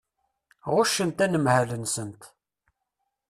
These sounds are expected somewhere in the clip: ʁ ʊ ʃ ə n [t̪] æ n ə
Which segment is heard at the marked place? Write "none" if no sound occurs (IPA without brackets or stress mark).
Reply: t̪